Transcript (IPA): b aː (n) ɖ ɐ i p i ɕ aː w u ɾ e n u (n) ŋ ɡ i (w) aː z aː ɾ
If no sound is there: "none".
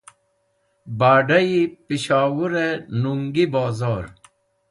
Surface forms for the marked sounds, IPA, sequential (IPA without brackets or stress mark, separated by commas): none, none, b